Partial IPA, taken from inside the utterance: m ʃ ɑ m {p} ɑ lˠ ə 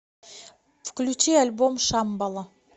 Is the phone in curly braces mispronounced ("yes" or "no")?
yes